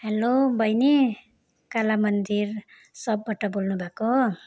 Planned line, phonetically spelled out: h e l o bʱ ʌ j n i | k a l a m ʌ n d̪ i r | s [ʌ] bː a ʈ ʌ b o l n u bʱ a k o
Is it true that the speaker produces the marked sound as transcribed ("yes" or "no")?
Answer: yes